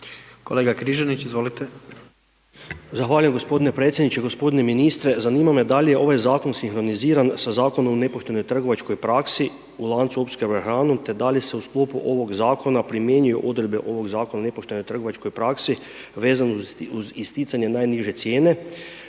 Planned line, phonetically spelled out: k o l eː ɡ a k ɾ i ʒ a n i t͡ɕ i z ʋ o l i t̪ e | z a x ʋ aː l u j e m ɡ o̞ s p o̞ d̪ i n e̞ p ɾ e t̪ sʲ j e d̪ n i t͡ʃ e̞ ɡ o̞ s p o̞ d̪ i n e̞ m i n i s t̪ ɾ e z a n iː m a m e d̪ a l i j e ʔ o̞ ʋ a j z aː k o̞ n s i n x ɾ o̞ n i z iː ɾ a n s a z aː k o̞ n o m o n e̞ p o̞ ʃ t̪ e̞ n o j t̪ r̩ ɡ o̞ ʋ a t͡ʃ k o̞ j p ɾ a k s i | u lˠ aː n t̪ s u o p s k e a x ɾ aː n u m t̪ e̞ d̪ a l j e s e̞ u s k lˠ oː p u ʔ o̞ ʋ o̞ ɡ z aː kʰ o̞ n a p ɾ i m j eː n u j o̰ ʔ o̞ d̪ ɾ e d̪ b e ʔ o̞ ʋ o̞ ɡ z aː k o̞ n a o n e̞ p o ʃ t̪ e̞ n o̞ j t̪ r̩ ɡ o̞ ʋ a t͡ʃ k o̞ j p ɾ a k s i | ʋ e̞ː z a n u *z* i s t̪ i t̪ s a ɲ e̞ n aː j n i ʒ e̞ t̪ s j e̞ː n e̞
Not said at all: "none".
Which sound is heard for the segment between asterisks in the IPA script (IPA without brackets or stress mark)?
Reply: z